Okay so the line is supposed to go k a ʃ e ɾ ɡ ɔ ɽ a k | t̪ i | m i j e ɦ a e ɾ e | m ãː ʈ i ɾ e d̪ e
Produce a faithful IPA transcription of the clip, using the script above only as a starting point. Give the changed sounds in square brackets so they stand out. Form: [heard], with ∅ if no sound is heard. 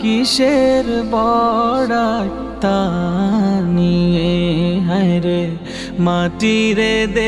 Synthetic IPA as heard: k [i] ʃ e ɾ [b] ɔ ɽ a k | t̪ [a] | [n] i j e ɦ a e ɾ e | m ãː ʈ i ɾ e d̪ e